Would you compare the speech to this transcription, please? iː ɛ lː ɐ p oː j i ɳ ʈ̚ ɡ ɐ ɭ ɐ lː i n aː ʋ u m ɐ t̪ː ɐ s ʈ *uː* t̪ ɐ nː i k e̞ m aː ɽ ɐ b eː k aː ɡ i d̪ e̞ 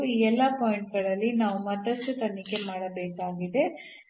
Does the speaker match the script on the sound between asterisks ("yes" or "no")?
no